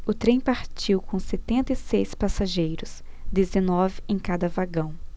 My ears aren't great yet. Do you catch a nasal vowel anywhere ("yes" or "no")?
yes